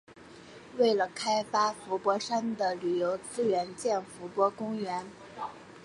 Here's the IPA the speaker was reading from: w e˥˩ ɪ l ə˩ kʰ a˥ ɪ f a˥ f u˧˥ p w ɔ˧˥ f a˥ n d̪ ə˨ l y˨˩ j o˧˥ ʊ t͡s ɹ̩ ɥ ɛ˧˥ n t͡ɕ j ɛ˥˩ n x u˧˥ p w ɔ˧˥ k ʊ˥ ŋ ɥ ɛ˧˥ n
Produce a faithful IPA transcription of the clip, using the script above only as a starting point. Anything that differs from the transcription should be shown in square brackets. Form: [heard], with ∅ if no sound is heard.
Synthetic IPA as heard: w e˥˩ ɪ l ə˩ kʰ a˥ ɪ f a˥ f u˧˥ p w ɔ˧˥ [ʂ] a˥ n d̪ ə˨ l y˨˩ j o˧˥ ʊ t͡s ɹ̩ ɥ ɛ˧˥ n t͡ɕ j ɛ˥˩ n [f] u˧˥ p w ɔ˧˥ k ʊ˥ ŋ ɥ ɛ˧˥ n